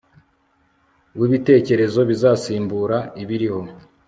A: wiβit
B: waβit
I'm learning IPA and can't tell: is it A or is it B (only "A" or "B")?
A